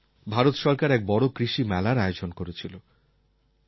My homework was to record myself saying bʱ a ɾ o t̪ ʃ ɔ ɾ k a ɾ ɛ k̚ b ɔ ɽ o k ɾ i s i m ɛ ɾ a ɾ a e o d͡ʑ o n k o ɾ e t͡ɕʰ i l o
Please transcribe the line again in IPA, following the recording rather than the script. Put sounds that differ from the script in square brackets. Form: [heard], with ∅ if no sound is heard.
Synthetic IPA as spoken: bʱ a ɾ o t̪ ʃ ɔ ɾ k a ɾ ɛ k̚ b ɔ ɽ o k ɾ i [ʃ] i m ɛ [l] a ɾ a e o d͡ʑ o n k o ɾ e t͡ɕʰ i l o